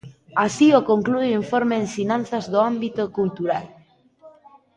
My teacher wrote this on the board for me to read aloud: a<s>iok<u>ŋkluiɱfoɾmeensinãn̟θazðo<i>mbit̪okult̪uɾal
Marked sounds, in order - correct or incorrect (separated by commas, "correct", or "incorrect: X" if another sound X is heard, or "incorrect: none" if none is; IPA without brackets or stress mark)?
correct, incorrect: o, incorrect: a